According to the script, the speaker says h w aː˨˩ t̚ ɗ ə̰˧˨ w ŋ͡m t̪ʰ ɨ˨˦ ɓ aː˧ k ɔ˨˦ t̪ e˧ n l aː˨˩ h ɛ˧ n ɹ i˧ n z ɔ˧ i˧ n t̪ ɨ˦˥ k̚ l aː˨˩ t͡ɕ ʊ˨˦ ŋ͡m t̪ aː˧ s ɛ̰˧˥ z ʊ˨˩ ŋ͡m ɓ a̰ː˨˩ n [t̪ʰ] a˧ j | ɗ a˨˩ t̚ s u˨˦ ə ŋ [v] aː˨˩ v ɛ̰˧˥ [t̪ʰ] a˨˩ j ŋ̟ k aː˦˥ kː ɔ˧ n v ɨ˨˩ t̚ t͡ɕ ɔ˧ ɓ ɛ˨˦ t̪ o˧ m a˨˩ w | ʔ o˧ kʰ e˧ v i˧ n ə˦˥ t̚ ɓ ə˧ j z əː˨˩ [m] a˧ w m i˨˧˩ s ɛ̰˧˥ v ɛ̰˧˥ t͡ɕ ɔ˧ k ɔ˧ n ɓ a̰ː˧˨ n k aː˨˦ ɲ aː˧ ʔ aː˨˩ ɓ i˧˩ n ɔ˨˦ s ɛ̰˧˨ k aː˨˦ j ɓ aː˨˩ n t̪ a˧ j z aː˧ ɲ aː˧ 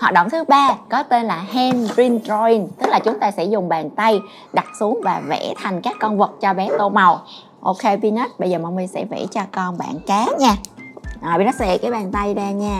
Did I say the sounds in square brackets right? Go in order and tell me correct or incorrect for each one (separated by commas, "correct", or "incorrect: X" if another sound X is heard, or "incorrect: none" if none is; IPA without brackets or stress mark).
incorrect: t̪, correct, correct, correct